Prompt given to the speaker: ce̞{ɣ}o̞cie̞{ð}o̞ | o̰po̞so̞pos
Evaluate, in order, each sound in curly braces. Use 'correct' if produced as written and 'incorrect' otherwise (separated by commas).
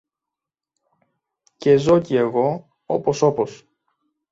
incorrect, incorrect